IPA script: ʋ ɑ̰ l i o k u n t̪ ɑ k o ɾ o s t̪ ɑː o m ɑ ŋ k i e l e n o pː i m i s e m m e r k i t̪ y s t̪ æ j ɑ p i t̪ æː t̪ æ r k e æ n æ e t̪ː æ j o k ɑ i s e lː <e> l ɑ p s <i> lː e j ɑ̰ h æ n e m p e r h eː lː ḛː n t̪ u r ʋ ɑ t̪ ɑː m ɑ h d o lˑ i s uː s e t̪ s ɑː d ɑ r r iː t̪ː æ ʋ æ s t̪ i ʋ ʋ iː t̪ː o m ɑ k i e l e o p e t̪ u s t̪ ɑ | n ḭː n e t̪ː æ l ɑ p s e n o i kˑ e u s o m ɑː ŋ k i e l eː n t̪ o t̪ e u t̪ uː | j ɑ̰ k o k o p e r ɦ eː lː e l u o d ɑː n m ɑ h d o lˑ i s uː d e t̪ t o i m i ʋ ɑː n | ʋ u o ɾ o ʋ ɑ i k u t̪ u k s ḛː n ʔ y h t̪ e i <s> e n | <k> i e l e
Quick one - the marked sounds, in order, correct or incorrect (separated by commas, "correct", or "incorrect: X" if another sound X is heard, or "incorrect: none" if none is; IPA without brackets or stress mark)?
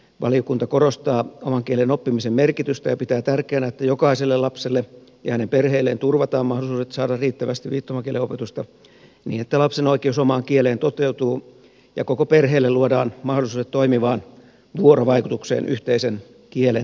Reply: correct, incorrect: e, correct, correct